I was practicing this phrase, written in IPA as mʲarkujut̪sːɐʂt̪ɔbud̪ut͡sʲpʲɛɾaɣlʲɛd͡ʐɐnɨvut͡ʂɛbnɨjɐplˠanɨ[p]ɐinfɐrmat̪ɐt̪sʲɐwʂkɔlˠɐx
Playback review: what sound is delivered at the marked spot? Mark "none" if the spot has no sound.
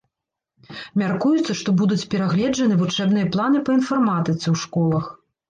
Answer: p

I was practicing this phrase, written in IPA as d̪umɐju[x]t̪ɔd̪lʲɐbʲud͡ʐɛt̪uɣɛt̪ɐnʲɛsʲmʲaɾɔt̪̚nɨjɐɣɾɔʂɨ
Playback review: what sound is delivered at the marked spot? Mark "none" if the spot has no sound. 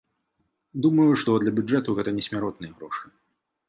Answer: ʂ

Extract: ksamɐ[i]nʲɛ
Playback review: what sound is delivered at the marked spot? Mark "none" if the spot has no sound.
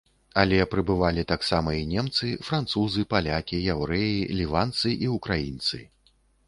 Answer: i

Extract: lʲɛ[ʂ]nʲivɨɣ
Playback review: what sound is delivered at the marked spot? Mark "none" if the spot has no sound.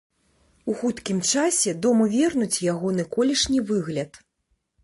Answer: ʂ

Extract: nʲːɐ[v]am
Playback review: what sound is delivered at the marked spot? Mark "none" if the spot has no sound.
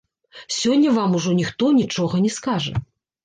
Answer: v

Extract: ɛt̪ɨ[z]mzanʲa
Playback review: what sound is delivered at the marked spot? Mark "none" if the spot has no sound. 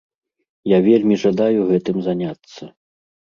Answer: none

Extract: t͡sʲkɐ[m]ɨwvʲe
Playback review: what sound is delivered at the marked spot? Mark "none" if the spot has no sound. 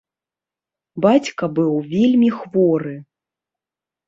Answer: b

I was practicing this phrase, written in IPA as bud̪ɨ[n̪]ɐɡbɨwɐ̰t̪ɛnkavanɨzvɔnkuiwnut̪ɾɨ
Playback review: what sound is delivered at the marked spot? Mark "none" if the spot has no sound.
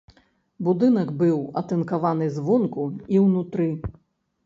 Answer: n̪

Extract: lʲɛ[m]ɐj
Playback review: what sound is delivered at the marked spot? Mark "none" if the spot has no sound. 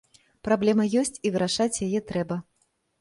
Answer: m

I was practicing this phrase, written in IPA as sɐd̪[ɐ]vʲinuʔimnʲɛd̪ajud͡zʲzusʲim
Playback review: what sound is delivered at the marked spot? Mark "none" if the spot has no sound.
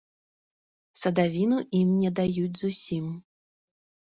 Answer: a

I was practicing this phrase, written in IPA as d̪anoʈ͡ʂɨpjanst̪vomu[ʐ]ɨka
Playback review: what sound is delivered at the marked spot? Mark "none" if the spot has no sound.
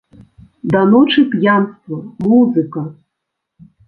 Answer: z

